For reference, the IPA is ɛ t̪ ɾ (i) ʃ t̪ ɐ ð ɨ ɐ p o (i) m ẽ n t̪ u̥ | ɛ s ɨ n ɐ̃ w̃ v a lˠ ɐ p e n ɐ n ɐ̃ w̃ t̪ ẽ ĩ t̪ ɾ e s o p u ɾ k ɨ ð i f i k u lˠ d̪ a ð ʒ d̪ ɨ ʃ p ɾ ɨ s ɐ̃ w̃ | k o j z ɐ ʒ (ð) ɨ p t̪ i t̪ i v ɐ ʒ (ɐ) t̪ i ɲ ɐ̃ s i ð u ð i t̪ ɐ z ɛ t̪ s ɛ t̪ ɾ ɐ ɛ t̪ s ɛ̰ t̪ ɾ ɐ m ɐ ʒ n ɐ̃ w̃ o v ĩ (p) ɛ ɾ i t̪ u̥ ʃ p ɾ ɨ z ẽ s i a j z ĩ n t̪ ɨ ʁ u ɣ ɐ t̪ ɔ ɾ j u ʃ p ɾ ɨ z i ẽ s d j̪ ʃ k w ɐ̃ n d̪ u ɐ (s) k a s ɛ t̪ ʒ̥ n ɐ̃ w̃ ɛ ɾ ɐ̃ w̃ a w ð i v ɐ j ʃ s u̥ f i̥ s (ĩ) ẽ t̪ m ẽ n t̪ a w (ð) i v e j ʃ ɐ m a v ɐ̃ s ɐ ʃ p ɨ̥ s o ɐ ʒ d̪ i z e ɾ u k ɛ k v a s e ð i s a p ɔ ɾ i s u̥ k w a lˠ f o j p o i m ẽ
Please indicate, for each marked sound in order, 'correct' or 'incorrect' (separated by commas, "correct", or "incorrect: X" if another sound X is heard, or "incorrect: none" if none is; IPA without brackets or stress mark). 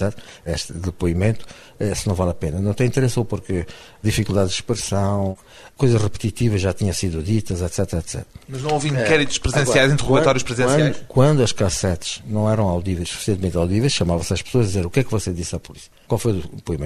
incorrect: ɛ, correct, incorrect: ʁ, incorrect: a, incorrect: k, incorrect: ʃ, incorrect: i, correct